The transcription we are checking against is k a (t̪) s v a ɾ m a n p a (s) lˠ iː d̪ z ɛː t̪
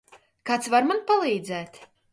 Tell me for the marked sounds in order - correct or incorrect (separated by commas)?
correct, incorrect